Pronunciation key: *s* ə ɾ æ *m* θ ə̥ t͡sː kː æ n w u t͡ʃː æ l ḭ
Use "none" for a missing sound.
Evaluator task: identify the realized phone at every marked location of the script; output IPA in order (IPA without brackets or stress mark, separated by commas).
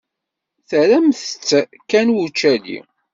θ, m